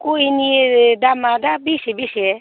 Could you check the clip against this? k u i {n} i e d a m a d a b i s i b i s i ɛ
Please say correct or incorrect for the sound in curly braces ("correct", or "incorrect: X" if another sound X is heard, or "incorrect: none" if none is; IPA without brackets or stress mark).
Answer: correct